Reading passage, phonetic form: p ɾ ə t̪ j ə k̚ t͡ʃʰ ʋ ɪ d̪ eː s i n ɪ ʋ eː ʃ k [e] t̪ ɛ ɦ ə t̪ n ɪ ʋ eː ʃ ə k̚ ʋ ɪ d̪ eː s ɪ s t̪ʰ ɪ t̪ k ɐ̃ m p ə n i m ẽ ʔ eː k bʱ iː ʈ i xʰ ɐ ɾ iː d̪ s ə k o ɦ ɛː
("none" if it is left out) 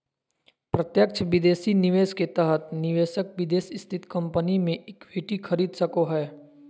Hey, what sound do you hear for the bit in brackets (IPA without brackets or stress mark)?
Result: e